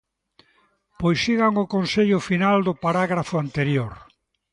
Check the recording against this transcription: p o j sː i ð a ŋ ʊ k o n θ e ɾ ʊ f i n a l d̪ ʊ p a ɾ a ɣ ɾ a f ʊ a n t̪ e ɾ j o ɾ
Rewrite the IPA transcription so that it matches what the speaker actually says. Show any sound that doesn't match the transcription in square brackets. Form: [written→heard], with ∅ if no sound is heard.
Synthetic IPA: p o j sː i [ð→ɣ] a ŋ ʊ k o n [θ→s] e [ɾ→ʎ] ʊ f i n a l d̪ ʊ p a ɾ a ɣ ɾ a f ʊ a n t̪ e ɾ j o ɾ

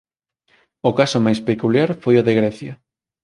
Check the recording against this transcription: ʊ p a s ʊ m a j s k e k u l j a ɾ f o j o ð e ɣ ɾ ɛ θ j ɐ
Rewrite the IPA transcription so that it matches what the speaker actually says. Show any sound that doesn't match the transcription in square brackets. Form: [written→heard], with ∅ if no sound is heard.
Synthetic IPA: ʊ [p→k] a s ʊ m a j s [k→p] e k u l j a ɾ f o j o ð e ɣ ɾ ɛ θ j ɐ

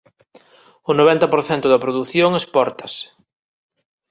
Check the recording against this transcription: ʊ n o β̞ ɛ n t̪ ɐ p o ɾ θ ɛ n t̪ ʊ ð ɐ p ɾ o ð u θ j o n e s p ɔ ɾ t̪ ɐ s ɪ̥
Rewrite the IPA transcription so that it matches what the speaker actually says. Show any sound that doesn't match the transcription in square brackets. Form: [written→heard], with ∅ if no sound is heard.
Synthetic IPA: ʊ n o β̞ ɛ n t̪ ɐ p o ɾ θ ɛ n t̪ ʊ ð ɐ p ɾ o ð u θ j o [n→ŋ] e s p ɔ ɾ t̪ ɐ s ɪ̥

